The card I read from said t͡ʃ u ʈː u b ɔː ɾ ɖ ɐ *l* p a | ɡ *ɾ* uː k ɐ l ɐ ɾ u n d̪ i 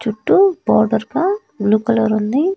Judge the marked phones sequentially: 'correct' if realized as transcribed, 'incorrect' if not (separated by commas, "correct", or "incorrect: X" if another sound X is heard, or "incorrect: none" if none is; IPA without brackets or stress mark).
incorrect: ɾ, incorrect: l